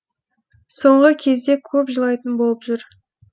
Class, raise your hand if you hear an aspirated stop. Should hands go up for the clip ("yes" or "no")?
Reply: yes